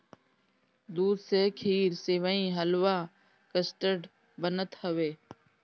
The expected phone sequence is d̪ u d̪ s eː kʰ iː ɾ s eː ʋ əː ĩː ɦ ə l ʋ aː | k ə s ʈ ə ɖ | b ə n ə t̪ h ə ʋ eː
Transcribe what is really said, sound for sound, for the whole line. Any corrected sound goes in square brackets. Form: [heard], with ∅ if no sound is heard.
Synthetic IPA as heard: d̪ [uː] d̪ s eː kʰ iː ɾ s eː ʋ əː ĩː ɦ ə l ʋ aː | k ə s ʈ ə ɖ | b ə n ə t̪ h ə ʋ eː